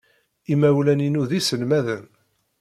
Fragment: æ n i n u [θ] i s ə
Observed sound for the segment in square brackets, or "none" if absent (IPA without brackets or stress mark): ð